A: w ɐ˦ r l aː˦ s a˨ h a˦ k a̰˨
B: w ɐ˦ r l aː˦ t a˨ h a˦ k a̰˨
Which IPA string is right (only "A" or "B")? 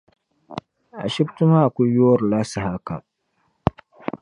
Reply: A